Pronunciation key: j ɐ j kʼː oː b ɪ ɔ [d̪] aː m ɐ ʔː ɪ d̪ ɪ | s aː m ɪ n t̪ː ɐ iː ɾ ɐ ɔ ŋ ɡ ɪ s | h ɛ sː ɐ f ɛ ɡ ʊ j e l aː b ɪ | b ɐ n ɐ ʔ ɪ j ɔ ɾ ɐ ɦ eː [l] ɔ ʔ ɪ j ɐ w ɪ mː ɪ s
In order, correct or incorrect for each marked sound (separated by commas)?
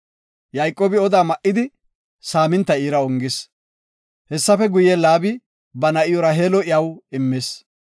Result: correct, correct